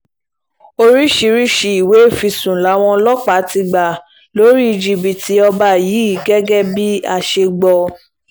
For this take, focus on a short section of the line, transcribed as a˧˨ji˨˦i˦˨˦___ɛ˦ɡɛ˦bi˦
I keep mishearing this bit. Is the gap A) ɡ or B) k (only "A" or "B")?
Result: A